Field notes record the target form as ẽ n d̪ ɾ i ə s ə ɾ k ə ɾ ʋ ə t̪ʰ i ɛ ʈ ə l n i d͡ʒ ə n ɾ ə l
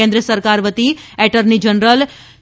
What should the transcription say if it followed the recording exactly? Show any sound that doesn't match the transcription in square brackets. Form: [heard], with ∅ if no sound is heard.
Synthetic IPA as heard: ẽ n d̪ ɾ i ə s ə ɾ k [a] ɾ ʋ ə [t̪] i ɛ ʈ ə [ɾ] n i d͡ʒ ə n ɾ ə l